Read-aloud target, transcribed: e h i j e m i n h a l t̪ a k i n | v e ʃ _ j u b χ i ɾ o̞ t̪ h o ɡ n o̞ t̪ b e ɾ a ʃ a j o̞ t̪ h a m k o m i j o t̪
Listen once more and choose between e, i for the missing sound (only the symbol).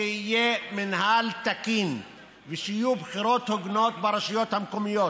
i